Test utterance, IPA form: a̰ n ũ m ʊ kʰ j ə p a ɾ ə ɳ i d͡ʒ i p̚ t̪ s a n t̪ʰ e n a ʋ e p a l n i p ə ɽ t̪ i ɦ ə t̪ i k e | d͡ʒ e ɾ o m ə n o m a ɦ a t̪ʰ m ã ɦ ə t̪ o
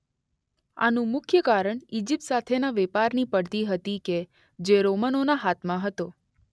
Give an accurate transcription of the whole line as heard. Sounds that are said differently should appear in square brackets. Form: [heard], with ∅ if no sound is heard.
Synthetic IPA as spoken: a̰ n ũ m ʊ kʰ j ə [k] a ɾ ə ɳ i d͡ʒ i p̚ t̪ s a [∅] t̪ʰ e n a ʋ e p a [ɾ] n i p ə ɽ t̪ i ɦ ə t̪ i k e | d͡ʒ e ɾ o m ə n o [n] a ɦ a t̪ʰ m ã ɦ ə t̪ o